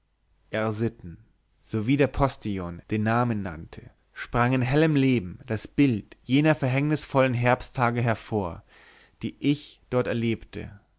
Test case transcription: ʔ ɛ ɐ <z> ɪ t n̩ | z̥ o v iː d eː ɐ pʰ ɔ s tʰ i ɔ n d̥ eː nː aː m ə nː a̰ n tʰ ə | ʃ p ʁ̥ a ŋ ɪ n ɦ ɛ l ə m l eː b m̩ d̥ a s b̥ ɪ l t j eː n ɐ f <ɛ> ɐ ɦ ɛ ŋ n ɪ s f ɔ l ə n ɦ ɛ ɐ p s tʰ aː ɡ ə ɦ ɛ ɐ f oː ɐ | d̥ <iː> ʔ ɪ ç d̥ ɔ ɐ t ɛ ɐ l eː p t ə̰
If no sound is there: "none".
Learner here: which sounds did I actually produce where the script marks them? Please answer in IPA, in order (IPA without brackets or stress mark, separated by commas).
z, ɛ, iː